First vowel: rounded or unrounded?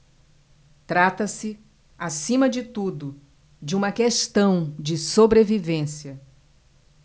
unrounded